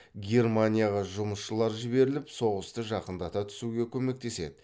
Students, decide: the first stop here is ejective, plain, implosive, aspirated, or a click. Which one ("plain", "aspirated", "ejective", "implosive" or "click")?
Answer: plain